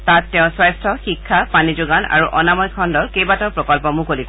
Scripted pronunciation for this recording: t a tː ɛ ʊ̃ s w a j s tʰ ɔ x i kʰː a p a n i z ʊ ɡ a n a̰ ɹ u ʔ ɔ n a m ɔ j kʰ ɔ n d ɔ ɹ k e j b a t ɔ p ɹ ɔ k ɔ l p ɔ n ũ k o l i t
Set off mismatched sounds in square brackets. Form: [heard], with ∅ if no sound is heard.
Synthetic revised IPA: t a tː ɛ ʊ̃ s w a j s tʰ ɔ x i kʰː a p a n i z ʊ ɡ a n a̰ ɹ u ʔ ɔ n a m ɔ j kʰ ɔ n d ɔ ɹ k e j b a t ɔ p ɹ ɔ k ɔ l p ɔ [m] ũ k o l i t